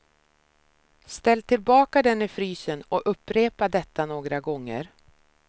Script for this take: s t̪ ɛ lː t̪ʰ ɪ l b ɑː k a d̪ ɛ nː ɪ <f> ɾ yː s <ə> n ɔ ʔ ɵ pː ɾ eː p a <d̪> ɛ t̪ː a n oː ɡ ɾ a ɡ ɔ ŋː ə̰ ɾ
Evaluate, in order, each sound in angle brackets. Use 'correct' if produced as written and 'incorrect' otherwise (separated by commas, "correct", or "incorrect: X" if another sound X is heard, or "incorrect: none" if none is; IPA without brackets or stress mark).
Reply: correct, correct, correct